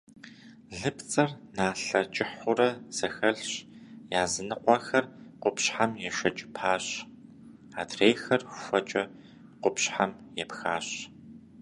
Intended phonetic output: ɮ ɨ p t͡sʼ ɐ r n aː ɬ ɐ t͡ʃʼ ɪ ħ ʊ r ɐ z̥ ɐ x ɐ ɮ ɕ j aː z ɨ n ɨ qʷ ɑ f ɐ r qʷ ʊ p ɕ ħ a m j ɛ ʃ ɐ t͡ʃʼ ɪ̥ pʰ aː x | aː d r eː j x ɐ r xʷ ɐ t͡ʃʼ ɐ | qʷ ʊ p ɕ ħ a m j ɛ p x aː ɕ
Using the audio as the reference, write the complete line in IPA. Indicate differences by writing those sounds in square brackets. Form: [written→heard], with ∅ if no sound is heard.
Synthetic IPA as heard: ɮ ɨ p t͡sʼ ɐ r n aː ɬ ɐ t͡ʃʼ ɪ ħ ʊ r ɐ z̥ ɐ x ɐ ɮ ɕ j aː z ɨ n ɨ qʷ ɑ [f→x] ɐ r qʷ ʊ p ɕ ħ a m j ɛ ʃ ɐ t͡ʃʼ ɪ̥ pʰ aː [x→ɕ] | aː d r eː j x ɐ r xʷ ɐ t͡ʃʼ ɐ | qʷ ʊ p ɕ ħ a m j ɛ p x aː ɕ